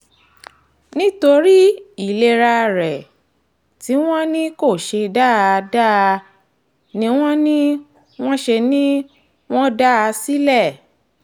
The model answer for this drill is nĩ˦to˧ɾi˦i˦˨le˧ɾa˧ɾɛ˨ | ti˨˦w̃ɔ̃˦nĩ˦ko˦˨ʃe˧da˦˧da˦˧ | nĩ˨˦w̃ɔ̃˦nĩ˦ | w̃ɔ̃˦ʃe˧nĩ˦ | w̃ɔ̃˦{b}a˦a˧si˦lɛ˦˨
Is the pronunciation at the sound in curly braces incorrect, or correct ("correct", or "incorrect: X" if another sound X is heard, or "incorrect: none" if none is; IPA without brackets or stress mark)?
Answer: incorrect: d